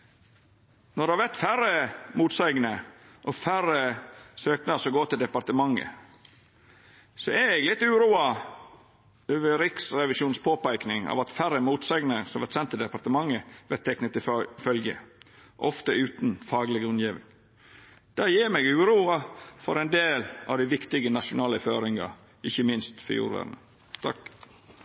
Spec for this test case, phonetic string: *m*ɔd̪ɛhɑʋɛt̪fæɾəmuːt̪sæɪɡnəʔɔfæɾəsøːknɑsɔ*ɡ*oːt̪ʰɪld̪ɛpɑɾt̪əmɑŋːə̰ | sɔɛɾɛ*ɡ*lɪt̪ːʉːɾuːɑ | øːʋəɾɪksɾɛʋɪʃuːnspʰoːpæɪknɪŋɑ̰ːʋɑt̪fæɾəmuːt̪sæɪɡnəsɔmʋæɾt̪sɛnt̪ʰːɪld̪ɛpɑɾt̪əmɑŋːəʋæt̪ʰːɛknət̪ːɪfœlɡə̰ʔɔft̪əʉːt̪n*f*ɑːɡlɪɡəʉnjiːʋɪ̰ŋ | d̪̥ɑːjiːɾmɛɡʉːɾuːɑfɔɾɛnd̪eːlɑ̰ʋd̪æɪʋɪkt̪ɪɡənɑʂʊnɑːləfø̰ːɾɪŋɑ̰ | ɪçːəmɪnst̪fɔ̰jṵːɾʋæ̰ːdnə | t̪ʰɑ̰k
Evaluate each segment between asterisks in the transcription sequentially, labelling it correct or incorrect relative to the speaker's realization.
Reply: incorrect, correct, correct, correct

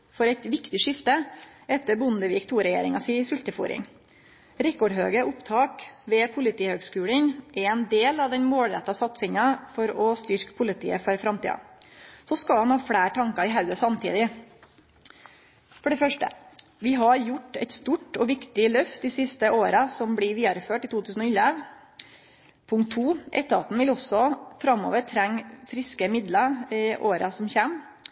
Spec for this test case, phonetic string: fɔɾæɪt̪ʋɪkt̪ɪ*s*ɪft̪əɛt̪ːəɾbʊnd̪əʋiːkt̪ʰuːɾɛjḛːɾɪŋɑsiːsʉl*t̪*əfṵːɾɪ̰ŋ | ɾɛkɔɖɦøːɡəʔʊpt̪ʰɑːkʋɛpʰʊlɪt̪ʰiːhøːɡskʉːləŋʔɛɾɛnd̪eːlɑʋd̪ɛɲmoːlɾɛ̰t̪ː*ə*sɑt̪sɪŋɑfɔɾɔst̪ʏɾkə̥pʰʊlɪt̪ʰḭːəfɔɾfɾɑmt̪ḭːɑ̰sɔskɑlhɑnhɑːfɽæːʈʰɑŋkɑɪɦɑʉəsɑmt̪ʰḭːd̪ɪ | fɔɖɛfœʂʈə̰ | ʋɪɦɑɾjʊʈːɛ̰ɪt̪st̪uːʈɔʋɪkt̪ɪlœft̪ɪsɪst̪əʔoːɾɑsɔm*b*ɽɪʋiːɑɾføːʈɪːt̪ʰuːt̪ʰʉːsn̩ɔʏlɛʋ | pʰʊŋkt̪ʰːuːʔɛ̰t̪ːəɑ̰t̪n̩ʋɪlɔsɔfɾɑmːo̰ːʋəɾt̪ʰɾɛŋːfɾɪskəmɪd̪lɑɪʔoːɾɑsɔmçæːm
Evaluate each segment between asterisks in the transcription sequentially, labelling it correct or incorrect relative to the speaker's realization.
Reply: incorrect, correct, incorrect, correct

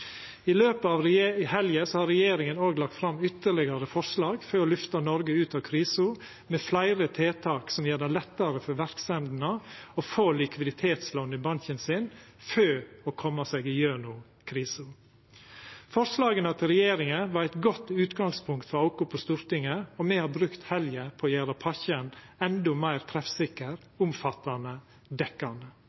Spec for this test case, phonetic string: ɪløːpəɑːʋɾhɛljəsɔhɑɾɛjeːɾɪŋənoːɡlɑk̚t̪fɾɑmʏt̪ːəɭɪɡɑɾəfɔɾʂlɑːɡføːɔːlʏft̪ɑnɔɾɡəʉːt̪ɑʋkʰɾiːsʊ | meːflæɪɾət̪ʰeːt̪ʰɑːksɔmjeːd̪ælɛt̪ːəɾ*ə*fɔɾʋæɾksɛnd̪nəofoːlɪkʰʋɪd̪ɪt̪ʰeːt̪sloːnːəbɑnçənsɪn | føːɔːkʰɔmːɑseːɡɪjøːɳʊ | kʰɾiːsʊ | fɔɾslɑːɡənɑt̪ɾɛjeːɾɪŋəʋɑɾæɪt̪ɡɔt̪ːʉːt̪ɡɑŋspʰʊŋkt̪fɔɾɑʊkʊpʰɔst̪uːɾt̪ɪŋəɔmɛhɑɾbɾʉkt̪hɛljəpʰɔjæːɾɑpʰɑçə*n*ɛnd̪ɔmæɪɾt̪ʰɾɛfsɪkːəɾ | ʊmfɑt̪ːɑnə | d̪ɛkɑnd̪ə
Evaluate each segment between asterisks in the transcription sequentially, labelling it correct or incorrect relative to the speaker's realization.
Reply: correct, correct

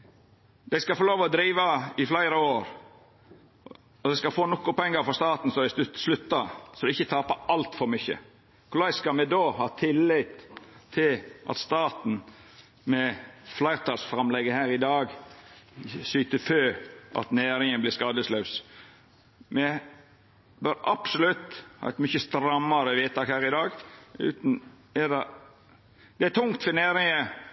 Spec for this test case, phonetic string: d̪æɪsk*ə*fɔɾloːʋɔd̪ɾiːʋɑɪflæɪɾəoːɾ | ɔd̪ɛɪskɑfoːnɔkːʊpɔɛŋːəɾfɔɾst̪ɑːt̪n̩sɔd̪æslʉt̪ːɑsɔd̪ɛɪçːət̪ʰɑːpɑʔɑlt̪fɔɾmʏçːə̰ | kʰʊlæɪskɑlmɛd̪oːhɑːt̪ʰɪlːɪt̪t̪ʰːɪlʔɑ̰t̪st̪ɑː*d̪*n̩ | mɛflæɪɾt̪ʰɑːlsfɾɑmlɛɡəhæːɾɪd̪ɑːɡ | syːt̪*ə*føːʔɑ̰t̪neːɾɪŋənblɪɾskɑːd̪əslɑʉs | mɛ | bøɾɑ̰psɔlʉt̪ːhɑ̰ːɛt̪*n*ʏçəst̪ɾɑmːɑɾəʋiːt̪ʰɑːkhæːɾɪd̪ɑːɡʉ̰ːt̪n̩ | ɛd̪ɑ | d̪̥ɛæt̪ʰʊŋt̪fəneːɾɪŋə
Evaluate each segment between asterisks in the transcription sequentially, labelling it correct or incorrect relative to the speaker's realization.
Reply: incorrect, incorrect, correct, incorrect

